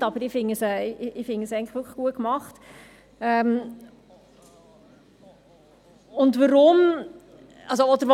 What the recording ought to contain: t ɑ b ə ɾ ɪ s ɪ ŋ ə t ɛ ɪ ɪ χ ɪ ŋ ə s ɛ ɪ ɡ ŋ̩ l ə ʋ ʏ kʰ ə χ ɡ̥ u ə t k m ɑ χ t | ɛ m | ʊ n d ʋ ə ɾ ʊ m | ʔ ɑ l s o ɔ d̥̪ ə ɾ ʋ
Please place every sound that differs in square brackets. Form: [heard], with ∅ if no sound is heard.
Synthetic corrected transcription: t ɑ b ə ɾ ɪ [f] ɪ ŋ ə [s] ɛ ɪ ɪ [f] ɪ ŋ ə s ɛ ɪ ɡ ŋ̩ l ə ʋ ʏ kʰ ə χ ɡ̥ u ə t k m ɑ χ t | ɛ m | ʊ n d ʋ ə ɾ ʊ m | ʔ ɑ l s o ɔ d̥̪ ə ɾ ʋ